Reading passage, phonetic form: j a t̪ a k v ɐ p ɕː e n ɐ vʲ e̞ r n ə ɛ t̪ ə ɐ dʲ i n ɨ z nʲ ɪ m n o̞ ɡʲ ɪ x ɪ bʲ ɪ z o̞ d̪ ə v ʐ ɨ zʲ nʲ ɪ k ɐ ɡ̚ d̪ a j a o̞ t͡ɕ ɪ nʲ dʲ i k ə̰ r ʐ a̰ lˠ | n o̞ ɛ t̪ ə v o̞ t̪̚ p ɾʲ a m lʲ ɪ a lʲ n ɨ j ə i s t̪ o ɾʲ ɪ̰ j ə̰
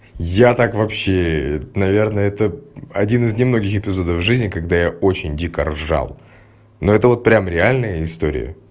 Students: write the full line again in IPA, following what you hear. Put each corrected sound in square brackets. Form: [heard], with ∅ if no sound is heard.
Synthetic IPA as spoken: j a t̪ a k v ɐ p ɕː e n ɐ vʲ e̞ r n ə ɛ t̪ ə ɐ dʲ i n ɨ z nʲ ɪ m n o̞ ɡʲ ɪ x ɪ [pʲ] ɪ z o̞ d̪ ə v ʐ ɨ zʲ nʲ ɪ k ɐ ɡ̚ d̪ a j a o̞ t͡ɕ ɪ nʲ dʲ i k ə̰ r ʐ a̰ lˠ | n o̞ ɛ t̪ ə v o̞ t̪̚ p ɾʲ a m [ɾʲ] ɪ a lʲ n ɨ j ə [ɪ] s t̪ o ɾʲ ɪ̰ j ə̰

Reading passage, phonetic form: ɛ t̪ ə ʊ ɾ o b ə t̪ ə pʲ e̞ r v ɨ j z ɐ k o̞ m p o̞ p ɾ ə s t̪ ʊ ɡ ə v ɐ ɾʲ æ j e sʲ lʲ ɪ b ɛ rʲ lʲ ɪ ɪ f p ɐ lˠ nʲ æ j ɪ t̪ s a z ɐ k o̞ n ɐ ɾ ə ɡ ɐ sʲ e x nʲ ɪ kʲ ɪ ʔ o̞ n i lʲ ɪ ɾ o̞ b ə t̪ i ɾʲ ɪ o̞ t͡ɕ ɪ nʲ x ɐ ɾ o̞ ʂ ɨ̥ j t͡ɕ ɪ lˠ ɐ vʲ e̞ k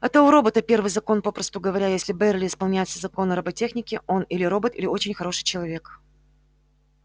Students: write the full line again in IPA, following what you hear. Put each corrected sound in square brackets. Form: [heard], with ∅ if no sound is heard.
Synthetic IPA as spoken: ɛ t̪ ə ʊ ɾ o b ə t̪ ə pʲ e̞ r v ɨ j z ɐ k o̞ [n] p o̞ p ɾ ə s t̪ ʊ ɡ ə v ɐ ɾʲ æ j e sʲ lʲ ɪ b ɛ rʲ lʲ ɪ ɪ [s] p ɐ lˠ nʲ æ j ɪ t̪ s [ə] z ɐ k o̞ n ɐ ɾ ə [b] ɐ [tʲ] e x nʲ ɪ kʲ ɪ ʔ o̞ n i lʲ ɪ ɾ o̞ b ə t̪ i [lʲ] ɪ o̞ t͡ɕ ɪ nʲ x ɐ ɾ o̞ ʂ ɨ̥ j t͡ɕ ɪ lˠ ɐ vʲ e̞ k

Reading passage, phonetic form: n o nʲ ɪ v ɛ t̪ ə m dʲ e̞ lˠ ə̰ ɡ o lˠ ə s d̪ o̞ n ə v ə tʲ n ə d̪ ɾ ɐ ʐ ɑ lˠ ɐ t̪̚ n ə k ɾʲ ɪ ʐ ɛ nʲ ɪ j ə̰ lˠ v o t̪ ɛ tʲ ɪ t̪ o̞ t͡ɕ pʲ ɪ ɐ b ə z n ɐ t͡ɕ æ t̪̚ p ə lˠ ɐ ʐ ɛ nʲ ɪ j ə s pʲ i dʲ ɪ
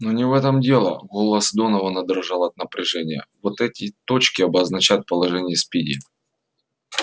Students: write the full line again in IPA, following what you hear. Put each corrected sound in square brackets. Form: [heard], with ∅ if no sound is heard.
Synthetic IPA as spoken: n o nʲ ɪ v ɛ t̪ ə m dʲ e̞ lˠ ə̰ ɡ o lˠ ə s d̪ o̞ n ə v ə [∅] n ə d̪ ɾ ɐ ʐ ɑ lˠ ɐ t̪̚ n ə [p] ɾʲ ɪ ʐ ɛ nʲ ɪ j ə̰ [∅] v o t̪ ɛ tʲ ɪ t̪ o̞ t͡ɕ [kʲ] ɪ ɐ b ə z n ɐ t͡ɕ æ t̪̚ p ə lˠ ɐ ʐ ɛ nʲ ɪ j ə s pʲ i dʲ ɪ

